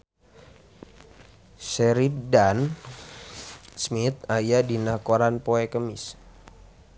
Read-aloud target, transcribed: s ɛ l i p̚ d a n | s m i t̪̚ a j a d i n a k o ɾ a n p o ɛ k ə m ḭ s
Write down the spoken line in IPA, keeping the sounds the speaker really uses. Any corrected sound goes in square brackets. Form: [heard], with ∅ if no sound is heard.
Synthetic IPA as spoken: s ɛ [ɾ] i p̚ d a n | s m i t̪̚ a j a d i n a k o ɾ a n p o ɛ k ə m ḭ s